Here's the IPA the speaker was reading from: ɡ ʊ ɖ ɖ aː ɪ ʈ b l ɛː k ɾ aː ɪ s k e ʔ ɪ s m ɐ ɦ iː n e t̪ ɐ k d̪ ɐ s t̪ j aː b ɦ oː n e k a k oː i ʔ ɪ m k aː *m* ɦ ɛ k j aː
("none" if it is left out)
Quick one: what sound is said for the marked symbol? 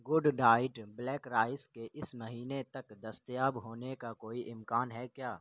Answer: n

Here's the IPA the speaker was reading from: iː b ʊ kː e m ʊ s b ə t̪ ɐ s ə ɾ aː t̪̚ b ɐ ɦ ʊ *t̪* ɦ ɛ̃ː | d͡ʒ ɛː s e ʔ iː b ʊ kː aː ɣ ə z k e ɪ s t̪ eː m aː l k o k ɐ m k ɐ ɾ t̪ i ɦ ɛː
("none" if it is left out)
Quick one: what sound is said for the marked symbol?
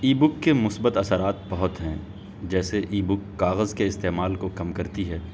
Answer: t̪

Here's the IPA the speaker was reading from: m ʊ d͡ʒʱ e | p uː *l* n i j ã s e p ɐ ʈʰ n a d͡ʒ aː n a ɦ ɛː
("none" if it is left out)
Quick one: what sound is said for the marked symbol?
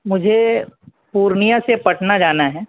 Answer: ɾ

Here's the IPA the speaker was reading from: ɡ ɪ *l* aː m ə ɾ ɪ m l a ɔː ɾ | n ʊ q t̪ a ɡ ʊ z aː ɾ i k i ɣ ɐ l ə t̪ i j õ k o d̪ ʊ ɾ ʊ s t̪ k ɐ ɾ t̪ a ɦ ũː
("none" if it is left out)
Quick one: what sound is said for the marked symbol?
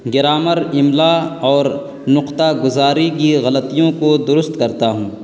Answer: ɾ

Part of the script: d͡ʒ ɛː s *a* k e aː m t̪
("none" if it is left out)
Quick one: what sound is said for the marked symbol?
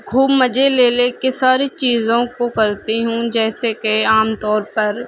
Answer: e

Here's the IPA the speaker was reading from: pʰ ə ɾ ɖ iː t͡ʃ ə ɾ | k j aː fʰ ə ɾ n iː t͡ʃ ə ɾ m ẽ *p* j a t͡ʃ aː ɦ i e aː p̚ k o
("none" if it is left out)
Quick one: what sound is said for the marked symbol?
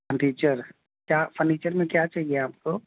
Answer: k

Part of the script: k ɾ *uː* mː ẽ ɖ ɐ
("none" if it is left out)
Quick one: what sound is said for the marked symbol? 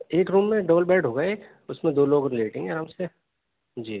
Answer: uː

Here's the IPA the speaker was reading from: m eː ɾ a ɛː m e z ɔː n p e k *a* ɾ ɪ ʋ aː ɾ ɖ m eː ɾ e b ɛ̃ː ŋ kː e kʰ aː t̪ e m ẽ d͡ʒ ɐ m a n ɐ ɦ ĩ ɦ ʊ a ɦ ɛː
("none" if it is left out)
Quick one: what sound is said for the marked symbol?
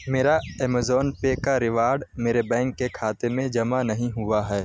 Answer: a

